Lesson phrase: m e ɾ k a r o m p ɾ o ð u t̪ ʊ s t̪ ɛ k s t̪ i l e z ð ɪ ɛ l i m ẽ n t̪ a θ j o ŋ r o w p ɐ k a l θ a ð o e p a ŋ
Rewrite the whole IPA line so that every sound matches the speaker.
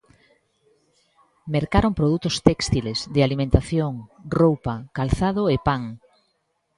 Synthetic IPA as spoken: m e ɾ k a ɾ o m p ɾ o ð u t̪ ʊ s t̪ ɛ k s t̪ i l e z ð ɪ a l i m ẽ n t̪ a θ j o ŋ r o w p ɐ k a l θ a ð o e p a ŋ

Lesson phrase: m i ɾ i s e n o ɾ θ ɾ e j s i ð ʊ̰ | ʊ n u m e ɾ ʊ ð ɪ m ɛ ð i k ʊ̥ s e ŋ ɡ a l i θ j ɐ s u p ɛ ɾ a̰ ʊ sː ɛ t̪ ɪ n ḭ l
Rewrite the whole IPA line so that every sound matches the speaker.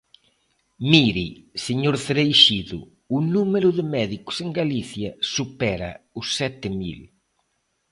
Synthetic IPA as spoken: m i ɾ i s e ɲ o ɾ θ ɾ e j ʃ i ð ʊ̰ | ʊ n u m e ɾ ʊ ð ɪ m ɛ ð i k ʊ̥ s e ŋ ɡ a l i θ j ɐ s u p ɛ ɾ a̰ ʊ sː ɛ t̪ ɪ m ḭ l

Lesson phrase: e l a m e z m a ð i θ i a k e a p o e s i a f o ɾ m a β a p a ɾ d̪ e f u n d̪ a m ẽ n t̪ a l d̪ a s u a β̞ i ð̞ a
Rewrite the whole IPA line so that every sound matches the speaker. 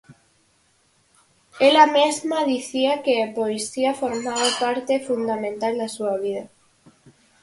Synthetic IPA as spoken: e l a m e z m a ð i θ i a k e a p o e s i a f o ɾ m a β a p a ɾ t̪ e f u n d̪ a m ẽ n t̪ a l d̪ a s u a β̞ i ð̞ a

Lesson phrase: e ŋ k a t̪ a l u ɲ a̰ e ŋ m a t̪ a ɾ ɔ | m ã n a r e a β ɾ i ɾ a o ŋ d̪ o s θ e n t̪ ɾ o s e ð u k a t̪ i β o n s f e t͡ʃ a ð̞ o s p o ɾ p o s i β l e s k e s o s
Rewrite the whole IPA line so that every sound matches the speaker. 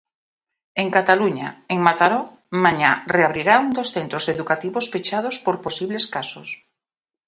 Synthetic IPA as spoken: e ŋ k a t̪ a l u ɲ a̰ e ŋ m a t̪ a ɾ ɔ | m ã ɲ a r e a β ɾ i ɾ a u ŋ d̪ o s θ e n t̪ ɾ o s e ð u k a t̪ i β o s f e t͡ʃ a ð̞ o s p o ɾ p o s i β l e s k a s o s

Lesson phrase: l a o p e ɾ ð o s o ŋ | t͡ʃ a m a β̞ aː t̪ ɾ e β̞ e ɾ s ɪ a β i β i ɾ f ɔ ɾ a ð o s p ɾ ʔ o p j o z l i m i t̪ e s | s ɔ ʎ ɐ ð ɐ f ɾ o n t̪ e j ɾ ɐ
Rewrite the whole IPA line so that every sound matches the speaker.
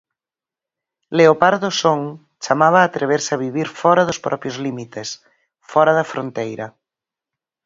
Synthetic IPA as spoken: l e o p a ɾ ð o s o ŋ | t͡ʃ a m a β̞ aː t̪ ɾ e β̞ e ɾ s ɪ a β i β i ɾ f ɔ ɾ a ð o s p ɾ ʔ ɔ p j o z l i m i t̪ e s | f ɔ ɾ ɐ ð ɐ f ɾ o n t̪ e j ɾ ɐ

